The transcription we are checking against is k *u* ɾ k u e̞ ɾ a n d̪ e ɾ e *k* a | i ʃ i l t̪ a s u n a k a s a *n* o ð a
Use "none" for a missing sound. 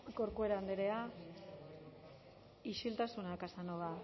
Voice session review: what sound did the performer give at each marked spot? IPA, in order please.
o, none, n

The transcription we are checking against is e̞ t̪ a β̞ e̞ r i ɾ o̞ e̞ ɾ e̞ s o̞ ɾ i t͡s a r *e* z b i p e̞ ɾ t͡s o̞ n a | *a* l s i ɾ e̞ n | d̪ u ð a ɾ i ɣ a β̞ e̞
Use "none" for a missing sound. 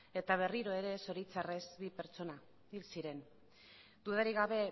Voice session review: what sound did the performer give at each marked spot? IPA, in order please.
e, i

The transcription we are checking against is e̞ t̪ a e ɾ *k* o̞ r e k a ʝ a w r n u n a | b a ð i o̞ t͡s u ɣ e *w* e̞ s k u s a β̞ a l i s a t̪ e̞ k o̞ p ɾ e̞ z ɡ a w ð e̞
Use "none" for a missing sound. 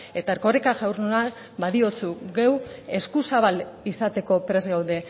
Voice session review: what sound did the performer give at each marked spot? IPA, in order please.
k, w

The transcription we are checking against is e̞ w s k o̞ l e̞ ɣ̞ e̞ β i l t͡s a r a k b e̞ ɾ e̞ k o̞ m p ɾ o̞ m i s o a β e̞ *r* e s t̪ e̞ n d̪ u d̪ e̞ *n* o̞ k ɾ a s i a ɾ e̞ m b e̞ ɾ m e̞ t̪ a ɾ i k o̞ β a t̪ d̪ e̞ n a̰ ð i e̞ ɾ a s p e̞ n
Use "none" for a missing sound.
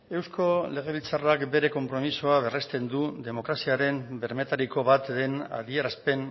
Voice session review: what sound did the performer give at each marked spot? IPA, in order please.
r, m

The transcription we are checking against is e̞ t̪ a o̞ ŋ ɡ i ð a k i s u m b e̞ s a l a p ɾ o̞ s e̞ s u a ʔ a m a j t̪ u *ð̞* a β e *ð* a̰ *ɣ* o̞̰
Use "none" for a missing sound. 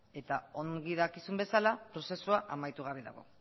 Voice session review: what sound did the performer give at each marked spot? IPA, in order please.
ɣ̞, ð, ɣ

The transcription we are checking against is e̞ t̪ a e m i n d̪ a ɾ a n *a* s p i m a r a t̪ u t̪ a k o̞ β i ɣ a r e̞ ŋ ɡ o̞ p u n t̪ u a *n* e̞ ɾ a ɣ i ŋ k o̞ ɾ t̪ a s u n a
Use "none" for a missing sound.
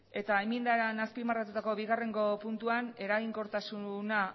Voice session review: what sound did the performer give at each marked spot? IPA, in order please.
a, n

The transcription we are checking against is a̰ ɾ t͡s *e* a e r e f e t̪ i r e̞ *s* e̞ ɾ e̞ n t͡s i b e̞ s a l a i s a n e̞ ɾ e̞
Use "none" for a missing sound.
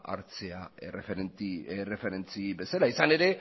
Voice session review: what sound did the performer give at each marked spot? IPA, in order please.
e, f

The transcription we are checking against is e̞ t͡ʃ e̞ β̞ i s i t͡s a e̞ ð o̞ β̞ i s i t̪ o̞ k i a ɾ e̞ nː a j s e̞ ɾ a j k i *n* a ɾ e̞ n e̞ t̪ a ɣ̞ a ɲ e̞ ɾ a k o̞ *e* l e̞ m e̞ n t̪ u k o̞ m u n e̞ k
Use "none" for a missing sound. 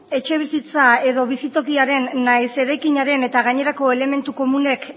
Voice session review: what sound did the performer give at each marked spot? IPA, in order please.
ɲ, e

